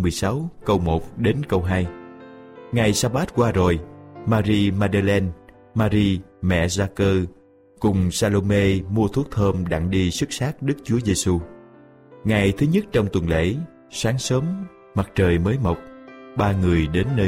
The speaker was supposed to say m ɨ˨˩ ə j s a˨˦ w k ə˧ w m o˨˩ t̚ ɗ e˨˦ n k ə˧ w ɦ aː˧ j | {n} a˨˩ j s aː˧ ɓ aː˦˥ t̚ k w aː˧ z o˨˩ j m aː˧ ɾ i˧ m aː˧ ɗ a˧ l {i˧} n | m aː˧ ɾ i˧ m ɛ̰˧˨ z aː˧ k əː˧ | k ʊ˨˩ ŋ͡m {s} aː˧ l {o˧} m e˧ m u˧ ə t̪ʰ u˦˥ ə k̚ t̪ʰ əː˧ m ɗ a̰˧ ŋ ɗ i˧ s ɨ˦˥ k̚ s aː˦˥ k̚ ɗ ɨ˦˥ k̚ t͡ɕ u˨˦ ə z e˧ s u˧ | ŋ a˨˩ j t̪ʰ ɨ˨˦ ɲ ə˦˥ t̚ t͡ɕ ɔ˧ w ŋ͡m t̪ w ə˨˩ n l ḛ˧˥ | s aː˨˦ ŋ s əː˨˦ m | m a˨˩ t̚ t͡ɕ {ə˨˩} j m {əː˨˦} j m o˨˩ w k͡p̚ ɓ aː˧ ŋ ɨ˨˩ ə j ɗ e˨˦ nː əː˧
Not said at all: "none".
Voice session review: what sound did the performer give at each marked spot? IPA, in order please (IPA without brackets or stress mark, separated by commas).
ŋ, ɛ˧, s, o˧, əː˨˩, əː˨˦